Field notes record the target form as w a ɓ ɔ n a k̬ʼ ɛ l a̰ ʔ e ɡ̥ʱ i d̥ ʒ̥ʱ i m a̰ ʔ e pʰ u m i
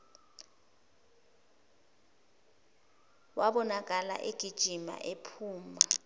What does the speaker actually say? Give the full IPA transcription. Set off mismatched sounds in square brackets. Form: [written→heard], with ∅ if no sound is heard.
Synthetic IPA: w a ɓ ɔ n a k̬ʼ [ɛ→a] l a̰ ʔ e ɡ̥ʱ i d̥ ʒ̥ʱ i m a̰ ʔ e pʰ [u→uː] m [i→a]